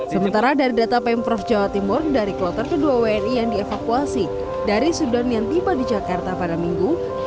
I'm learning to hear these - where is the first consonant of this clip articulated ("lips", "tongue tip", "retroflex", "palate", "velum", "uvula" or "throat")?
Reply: tongue tip